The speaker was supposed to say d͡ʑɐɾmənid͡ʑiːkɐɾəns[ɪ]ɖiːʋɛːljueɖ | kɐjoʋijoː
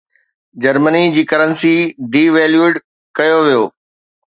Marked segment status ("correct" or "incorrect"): incorrect